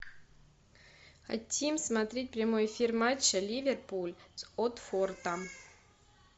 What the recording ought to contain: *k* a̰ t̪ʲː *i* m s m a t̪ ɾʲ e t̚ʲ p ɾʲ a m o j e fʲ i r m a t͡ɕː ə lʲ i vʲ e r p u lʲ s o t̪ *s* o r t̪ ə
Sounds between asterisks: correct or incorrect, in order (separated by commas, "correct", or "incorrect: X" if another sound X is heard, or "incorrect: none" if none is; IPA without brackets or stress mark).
incorrect: x, correct, incorrect: f